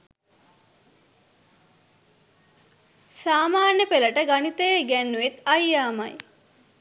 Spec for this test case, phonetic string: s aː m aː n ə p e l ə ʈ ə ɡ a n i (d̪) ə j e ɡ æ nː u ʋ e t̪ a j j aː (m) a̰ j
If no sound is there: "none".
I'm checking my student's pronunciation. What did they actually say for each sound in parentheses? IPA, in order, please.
t̪, m

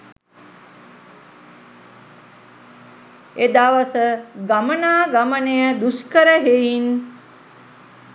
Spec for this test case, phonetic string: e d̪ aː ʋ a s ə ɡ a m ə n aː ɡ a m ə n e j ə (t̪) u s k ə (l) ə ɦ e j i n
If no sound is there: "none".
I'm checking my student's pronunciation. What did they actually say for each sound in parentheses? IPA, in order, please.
d̪, ɾ

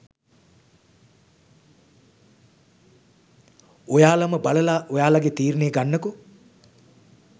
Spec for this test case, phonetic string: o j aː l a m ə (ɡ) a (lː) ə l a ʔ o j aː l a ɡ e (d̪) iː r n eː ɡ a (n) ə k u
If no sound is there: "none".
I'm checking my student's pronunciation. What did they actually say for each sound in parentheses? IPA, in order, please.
b, l, t̪, nː

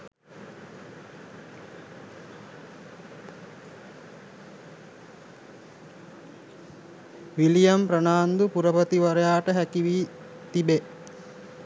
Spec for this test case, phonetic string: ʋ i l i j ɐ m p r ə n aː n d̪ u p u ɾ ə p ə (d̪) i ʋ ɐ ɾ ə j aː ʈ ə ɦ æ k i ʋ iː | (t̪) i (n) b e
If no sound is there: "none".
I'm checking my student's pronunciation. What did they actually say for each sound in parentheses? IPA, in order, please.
t̪, t̪, none

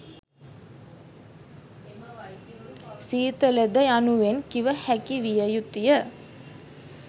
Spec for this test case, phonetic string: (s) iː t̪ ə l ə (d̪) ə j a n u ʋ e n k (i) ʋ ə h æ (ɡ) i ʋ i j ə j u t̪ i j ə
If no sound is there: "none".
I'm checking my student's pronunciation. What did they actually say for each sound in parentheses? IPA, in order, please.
s, d̪, i, k

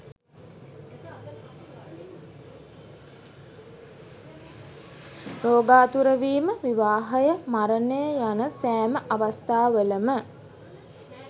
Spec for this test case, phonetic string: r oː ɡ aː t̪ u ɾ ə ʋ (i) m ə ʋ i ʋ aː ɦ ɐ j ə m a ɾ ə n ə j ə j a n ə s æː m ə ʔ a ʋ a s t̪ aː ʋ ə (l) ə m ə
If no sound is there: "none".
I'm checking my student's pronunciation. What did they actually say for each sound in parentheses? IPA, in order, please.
iː, l

